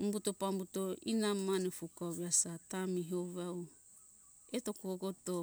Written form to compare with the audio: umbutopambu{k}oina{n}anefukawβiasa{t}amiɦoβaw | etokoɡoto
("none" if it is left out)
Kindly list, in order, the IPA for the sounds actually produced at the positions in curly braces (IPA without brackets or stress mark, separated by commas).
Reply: t, m, t